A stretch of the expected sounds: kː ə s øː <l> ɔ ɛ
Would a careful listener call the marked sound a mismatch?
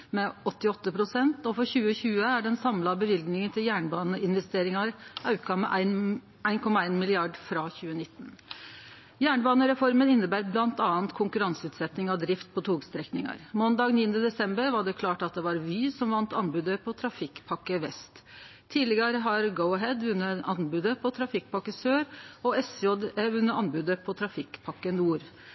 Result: yes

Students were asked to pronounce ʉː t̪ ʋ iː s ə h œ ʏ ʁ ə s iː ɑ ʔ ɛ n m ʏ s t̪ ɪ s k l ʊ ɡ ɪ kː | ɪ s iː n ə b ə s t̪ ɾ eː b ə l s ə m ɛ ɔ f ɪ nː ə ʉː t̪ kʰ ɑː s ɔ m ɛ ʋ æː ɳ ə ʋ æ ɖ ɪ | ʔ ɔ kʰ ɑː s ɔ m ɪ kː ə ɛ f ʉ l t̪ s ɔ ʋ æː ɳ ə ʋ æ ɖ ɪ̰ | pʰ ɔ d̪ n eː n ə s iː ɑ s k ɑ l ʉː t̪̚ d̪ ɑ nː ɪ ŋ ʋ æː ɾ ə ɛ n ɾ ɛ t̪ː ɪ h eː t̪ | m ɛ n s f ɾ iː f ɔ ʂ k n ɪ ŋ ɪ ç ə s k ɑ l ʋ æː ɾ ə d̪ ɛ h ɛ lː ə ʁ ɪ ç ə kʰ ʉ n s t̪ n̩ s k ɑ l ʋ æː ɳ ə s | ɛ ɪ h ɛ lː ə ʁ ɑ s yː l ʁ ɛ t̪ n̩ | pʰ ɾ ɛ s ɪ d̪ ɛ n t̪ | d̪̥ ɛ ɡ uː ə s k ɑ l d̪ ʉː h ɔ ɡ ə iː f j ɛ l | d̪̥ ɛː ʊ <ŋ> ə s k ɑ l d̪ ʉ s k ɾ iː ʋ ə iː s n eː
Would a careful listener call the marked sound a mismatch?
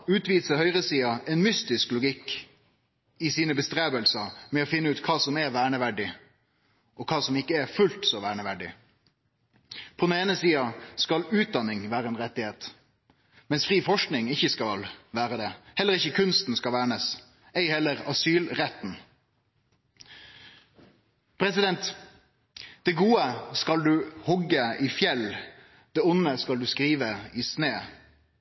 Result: yes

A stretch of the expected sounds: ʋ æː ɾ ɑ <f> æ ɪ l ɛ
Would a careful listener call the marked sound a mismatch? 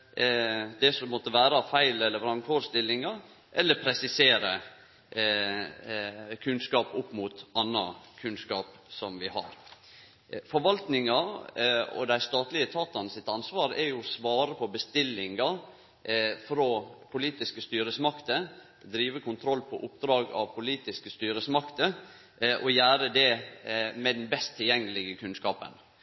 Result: no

